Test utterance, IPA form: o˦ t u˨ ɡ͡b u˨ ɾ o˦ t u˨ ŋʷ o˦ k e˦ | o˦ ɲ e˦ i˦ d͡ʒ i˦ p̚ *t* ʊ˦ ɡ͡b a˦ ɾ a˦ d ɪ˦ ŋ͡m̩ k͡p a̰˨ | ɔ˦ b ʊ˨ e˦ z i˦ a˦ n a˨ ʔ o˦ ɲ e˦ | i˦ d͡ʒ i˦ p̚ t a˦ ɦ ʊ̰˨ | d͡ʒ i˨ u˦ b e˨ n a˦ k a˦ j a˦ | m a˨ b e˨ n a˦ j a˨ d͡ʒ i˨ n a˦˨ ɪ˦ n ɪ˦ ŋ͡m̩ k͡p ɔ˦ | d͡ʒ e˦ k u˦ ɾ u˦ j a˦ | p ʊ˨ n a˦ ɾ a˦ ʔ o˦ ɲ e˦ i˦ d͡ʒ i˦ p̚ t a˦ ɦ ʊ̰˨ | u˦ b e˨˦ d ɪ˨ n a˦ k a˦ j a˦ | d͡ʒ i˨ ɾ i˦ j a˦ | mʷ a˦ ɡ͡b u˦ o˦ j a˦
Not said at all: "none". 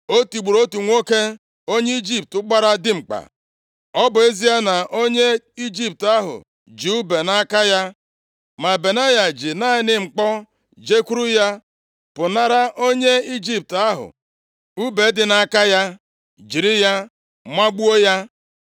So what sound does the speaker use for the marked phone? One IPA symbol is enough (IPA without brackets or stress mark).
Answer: t